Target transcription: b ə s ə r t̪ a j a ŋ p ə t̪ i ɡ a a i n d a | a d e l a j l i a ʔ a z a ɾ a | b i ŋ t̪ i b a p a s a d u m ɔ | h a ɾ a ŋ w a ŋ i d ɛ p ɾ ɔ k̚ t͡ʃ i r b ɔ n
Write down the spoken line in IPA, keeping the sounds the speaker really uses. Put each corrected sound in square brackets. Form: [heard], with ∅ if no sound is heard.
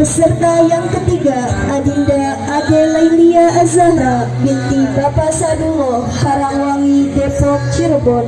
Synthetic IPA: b ə s ə r t̪ a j a ŋ [k] ə t̪ i ɡ a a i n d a | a d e l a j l i a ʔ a z a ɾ a | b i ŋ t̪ i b a p a s a d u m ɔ | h a ɾ a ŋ w a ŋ i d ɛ p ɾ ɔ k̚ t͡ʃ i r b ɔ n